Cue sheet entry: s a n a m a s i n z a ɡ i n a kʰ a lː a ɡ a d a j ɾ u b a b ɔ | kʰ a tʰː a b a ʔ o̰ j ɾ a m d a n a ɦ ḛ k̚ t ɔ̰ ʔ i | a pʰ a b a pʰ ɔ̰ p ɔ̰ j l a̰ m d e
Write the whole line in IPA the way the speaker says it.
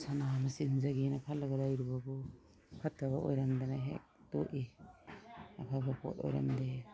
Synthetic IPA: s a n a m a s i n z a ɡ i n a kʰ a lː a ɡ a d a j ɾ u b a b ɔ | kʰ a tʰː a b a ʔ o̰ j ɾ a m d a n a ɦ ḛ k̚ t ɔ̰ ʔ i | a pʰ a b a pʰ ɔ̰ t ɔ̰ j ɾ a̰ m d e